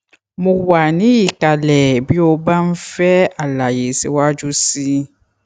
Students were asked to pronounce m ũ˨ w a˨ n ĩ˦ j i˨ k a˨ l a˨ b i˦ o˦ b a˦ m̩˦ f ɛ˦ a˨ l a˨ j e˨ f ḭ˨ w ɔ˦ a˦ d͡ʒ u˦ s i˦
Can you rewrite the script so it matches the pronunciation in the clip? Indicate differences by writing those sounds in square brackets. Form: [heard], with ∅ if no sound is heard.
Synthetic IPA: m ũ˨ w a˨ n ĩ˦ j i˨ k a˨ l [ɛ˨] b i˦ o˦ b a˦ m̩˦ f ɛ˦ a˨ l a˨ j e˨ [s] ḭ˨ w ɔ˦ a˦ d͡ʒ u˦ s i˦